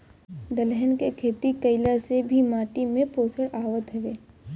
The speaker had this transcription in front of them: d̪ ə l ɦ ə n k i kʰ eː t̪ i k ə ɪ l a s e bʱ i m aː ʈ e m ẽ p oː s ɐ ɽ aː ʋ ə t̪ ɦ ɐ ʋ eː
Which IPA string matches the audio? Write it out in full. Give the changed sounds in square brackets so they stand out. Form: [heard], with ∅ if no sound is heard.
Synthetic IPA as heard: d̪ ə l ɦ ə n k [e] kʰ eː t̪ i k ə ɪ l a s e bʱ i m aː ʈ [i] m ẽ p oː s [ə] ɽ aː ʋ ə t̪ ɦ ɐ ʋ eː